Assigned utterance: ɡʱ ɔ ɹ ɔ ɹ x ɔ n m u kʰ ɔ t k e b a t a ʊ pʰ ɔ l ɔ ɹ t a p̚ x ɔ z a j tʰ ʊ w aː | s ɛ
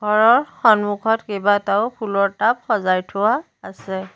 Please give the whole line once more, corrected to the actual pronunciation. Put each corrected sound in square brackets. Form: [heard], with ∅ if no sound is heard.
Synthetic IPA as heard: ɡʱ ɔ ɹ ɔ ɹ x ɔ n m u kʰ ɔ t k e b a t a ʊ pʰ [u] l ɔ ɹ t a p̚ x ɔ z a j tʰ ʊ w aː | s ɛ